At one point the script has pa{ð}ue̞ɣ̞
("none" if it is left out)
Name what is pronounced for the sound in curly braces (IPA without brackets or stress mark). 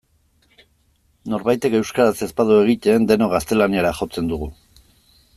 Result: ð